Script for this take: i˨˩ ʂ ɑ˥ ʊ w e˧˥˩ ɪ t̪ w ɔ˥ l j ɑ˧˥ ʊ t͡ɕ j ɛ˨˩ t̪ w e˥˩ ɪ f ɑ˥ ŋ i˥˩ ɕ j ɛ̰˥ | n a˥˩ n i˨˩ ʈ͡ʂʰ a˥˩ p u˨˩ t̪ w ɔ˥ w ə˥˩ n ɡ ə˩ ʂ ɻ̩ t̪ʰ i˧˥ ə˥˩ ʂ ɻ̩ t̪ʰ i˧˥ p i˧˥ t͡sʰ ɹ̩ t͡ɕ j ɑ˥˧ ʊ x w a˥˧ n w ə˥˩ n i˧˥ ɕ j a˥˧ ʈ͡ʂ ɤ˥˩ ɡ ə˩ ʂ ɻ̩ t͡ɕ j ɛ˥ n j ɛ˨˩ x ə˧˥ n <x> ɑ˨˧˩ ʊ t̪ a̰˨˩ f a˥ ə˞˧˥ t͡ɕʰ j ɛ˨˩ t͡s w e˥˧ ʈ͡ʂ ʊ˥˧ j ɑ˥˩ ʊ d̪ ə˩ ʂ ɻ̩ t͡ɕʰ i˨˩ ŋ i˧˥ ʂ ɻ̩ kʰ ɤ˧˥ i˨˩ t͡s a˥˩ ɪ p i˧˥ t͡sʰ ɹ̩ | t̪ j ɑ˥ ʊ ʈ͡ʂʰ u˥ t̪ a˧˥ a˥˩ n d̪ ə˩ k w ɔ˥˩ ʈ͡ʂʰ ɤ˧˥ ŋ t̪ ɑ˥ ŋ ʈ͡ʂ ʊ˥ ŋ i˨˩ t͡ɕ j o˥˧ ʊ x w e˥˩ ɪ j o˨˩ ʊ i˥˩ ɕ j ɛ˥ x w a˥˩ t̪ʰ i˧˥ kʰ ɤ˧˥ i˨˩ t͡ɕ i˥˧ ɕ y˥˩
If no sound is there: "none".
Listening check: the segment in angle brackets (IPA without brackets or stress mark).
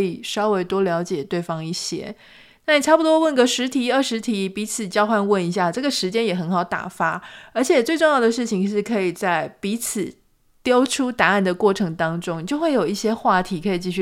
x